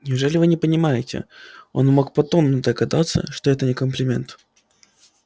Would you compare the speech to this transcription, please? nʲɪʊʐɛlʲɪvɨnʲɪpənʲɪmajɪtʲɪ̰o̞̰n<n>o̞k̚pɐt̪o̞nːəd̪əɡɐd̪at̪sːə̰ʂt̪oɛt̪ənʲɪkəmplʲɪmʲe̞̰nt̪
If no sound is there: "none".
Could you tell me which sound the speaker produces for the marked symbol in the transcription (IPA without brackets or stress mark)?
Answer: m